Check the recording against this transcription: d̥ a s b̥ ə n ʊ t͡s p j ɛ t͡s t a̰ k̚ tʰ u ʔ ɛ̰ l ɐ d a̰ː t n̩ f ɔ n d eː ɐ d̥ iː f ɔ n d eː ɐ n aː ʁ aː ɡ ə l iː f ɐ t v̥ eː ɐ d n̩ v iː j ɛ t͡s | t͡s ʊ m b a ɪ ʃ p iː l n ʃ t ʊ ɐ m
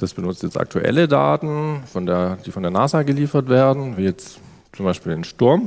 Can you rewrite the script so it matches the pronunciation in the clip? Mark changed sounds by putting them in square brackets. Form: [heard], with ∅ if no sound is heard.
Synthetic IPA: d̥ a s b̥ ə n ʊ t͡s [t] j ɛ t͡s t a̰ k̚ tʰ u ʔ ɛ̰ l [ə] d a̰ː t n̩ f ɔ n d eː ɐ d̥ iː f ɔ n d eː ɐ n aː [z] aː ɡ ə l iː f ɐ t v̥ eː ɐ d n̩ v iː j ɛ t͡s | t͡s ʊ m b a ɪ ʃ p iː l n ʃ t ʊ ɐ m